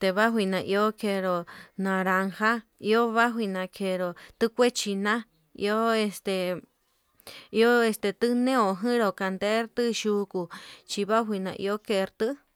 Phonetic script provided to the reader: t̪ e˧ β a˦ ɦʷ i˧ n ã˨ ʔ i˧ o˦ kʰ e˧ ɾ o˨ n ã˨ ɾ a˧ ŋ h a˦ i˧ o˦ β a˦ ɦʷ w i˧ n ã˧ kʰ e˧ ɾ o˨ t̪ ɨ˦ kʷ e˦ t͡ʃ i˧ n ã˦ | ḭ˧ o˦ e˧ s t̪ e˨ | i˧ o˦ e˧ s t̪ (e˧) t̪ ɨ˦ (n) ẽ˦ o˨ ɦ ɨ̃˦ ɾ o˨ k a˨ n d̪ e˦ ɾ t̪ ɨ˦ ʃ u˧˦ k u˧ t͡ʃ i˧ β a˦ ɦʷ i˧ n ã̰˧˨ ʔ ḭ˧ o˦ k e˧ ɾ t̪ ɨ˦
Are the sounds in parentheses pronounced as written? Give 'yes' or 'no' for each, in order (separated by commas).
yes, yes